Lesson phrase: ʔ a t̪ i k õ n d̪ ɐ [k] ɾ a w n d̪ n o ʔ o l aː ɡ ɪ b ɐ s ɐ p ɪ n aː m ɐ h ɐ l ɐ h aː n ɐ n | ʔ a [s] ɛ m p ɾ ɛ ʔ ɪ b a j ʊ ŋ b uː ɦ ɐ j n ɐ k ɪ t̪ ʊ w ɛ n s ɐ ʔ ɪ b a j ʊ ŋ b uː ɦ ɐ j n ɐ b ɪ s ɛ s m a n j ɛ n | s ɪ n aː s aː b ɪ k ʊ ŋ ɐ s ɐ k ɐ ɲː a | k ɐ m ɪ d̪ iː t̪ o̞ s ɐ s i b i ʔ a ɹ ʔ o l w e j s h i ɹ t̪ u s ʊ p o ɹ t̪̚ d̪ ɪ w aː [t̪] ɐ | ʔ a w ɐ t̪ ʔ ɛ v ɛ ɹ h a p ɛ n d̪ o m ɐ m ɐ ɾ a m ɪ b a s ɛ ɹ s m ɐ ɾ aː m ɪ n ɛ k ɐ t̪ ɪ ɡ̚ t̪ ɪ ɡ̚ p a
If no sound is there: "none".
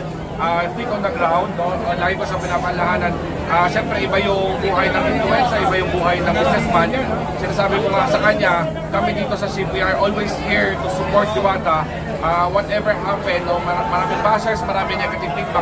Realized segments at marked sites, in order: ɡ, ʃ, t̪

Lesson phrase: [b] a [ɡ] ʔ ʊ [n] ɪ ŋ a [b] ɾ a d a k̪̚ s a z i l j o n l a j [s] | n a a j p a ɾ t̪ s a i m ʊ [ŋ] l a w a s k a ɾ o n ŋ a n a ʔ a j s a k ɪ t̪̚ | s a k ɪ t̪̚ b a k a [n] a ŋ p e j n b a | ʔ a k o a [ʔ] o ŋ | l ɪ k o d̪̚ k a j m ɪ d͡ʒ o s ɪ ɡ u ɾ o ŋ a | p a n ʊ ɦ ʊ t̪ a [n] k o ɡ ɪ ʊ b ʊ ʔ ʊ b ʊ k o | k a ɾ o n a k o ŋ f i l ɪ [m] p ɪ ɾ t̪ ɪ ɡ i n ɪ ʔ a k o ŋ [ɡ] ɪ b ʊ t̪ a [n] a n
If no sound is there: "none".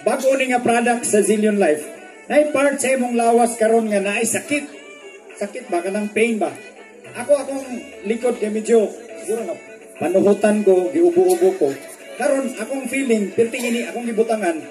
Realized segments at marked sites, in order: b, ɡ, n, p, f, ŋ, n, k, n, ŋ, ɡ, ŋ

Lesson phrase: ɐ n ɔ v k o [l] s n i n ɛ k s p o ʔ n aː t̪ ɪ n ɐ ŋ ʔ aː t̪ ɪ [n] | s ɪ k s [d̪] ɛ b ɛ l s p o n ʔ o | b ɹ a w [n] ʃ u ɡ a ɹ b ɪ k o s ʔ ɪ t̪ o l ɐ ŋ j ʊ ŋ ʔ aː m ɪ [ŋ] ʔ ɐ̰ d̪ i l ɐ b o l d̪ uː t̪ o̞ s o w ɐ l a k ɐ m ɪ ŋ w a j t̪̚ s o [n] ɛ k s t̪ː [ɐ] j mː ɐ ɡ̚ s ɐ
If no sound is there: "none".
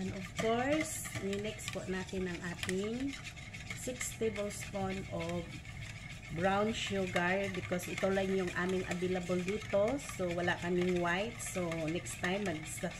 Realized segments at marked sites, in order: ɹ, ŋ, t̪, n, ŋ, n, a

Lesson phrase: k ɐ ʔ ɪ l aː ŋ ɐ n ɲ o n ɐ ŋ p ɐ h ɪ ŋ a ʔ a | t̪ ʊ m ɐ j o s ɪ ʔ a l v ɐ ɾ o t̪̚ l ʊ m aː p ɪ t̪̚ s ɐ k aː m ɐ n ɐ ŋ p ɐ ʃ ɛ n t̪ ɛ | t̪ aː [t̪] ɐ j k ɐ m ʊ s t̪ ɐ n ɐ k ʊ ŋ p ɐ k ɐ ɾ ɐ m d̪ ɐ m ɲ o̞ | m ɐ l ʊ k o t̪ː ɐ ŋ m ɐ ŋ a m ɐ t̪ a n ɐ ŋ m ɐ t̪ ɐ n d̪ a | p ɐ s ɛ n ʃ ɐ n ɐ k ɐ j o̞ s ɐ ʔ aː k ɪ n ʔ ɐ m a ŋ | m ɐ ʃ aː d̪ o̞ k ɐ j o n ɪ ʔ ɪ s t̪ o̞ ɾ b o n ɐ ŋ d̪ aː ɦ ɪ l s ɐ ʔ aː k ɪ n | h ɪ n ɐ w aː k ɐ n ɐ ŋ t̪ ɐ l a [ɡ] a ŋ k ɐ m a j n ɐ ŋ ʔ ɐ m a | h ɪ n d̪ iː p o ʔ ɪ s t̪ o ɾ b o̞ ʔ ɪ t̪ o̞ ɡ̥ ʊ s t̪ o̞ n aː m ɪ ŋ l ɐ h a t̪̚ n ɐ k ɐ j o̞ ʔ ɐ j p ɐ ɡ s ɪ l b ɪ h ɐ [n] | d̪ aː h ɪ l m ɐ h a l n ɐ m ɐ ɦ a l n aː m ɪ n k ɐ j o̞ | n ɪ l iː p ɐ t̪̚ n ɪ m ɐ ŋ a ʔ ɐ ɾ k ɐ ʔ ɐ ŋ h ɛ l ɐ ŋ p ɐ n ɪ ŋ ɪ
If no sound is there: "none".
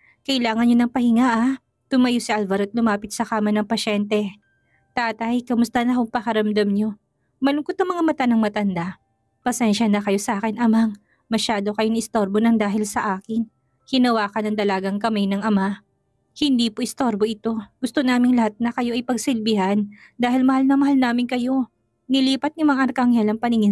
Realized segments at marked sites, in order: t̪, ɡ, n

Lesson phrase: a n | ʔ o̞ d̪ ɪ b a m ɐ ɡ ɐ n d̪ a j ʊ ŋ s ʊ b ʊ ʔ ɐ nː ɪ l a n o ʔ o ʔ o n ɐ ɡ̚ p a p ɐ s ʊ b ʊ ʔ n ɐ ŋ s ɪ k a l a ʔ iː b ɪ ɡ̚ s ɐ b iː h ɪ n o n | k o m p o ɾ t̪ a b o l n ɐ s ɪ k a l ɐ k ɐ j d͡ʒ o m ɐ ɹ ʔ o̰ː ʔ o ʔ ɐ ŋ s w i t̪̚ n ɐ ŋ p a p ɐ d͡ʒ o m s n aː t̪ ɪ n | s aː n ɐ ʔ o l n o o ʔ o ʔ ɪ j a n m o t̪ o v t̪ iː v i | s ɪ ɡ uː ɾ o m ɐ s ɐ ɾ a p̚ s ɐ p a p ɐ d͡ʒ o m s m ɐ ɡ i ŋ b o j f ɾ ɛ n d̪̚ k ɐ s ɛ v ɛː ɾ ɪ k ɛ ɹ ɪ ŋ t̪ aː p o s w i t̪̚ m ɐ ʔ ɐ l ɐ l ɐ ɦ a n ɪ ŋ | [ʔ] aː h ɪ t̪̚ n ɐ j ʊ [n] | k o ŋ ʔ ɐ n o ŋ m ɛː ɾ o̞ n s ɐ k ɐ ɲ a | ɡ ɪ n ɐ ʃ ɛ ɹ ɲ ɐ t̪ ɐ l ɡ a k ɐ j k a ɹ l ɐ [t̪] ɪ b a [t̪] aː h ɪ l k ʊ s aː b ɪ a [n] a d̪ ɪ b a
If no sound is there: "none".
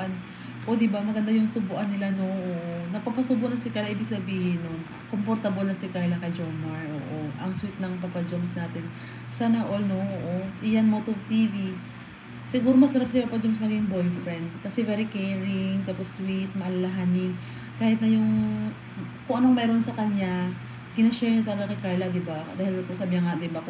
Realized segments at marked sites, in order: k, ŋ, d̪, d̪, ŋ

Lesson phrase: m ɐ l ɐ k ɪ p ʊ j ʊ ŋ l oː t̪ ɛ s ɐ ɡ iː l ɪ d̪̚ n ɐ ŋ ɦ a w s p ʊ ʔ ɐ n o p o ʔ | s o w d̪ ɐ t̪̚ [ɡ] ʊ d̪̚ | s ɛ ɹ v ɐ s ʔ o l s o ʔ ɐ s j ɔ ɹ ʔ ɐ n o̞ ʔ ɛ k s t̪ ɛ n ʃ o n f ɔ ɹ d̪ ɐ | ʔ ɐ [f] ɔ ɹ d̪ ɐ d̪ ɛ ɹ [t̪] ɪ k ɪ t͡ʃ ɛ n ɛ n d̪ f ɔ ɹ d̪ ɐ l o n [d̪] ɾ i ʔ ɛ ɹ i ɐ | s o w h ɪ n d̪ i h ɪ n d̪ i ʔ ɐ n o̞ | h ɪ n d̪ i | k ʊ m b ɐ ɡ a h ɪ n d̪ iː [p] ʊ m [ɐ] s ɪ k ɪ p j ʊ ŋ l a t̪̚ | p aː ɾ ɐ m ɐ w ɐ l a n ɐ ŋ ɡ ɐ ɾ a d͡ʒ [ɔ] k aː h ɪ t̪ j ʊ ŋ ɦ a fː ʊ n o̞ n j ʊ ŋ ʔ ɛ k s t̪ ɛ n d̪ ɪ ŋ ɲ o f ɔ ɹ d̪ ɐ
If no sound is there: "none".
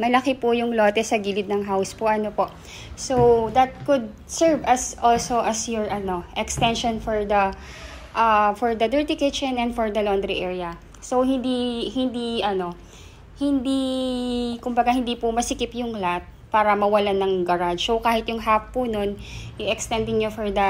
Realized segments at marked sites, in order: k, f, t̪, d̪, p, ɐ, o

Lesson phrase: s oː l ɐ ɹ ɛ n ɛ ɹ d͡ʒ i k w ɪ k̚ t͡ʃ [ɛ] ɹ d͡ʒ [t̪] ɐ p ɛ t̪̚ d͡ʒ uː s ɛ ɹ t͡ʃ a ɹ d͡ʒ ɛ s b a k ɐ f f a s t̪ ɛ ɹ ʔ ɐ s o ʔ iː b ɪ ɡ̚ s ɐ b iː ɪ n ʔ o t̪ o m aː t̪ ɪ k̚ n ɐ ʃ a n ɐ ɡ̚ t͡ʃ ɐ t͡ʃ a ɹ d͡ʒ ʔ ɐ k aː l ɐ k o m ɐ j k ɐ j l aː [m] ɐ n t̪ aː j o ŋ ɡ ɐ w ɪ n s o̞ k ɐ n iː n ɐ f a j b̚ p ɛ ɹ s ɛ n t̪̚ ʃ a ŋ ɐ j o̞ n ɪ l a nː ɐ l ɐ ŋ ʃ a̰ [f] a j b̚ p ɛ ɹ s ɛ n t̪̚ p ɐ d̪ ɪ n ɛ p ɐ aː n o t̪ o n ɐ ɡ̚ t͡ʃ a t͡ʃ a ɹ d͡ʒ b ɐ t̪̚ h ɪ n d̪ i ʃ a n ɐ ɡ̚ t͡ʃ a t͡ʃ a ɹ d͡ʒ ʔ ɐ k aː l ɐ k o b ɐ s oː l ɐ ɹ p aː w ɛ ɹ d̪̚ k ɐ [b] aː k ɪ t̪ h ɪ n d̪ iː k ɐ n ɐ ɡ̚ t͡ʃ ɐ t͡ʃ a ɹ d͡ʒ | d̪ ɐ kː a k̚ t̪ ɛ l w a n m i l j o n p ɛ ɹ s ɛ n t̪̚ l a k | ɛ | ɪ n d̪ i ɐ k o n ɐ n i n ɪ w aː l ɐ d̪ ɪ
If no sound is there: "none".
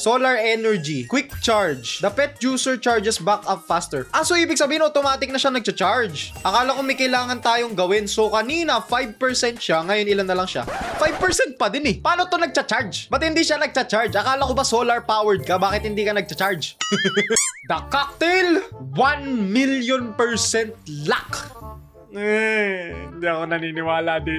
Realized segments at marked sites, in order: a, d̪, ŋ, f, b

